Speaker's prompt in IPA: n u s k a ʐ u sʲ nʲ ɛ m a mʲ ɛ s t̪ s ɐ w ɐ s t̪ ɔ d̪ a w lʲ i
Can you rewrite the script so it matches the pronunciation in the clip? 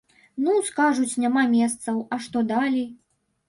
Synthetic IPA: n u s k a ʐ u t͡sʲ nʲ a m a mʲ ɛ s t̪ s ɐ w ɐ ʂ t̪ ɔ d̪ a lʲ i